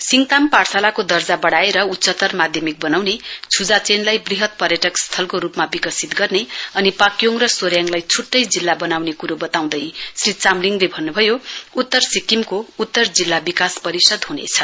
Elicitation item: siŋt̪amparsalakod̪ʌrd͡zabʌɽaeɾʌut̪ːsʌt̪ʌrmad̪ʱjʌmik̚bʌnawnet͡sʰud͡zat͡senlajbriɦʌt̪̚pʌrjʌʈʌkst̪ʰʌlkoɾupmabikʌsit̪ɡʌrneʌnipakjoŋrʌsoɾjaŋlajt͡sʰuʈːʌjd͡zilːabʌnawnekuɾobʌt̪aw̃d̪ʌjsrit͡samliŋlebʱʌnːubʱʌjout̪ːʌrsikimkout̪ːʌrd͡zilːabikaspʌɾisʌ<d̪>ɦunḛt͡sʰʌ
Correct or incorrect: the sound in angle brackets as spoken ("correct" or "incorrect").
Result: correct